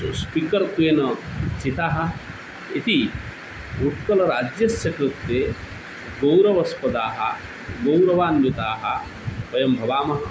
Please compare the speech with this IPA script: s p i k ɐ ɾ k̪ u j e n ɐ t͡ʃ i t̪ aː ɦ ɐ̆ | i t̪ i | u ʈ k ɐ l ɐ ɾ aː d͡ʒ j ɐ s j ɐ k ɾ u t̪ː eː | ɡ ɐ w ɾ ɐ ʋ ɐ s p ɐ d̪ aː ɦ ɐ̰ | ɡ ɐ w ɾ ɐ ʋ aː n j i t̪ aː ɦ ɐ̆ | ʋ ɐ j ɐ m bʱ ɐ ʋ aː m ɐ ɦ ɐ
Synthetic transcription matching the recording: s p i k ɐ ɾ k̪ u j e n ɐ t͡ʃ i t̪ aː ɦ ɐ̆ | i t̪ i | u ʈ k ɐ l ɐ ɾ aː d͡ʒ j ɐ s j ɐ k ɾ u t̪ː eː | ɡ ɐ w ɾ ɐ ʋ ɐ s p ɐ d̪ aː ɦ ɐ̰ | ɡ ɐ w ɾ ɐ ʋ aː n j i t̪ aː ɦ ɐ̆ | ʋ ɐ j ɐ m bʱ ɐ ʋ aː m ɐ ɦ ɐ